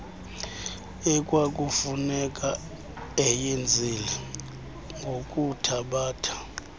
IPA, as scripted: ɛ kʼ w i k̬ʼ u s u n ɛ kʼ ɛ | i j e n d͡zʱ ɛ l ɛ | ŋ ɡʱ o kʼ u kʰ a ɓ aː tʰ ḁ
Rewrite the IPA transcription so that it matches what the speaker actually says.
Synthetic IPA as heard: ɛ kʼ w a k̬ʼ u f u n ɛ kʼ a | ɛ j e n d͡zʱ i l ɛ | ŋ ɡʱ o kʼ u tʰ a ɓ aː tʰ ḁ